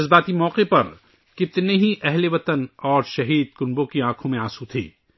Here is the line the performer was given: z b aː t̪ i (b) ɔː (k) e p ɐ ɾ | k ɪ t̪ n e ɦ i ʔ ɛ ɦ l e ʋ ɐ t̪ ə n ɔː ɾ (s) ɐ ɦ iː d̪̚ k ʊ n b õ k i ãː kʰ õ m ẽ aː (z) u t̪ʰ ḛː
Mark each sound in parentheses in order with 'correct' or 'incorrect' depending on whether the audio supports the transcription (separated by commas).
incorrect, incorrect, incorrect, incorrect